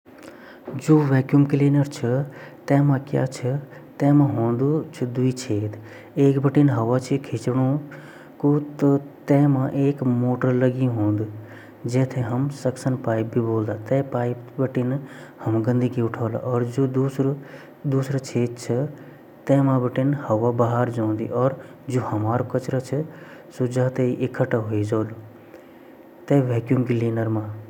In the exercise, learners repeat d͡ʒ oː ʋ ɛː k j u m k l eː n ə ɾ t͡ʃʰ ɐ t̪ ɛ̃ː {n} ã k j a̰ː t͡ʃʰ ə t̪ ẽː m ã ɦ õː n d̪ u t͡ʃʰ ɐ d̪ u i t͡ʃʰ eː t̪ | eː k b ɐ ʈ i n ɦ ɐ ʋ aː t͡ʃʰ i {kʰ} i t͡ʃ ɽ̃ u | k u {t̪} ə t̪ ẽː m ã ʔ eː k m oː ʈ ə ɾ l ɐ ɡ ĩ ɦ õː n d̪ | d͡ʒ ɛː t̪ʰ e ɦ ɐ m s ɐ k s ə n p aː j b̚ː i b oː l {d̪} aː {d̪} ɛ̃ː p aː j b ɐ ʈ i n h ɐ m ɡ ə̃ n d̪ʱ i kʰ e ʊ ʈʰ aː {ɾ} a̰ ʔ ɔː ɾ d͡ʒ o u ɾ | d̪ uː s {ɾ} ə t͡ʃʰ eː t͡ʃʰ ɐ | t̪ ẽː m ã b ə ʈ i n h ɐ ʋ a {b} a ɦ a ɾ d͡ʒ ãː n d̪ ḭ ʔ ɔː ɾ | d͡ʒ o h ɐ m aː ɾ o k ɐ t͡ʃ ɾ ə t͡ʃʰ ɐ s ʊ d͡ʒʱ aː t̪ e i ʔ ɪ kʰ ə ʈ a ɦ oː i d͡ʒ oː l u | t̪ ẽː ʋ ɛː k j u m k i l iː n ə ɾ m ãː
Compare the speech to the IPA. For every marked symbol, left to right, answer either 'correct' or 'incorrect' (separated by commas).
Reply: incorrect, correct, correct, correct, incorrect, incorrect, correct, correct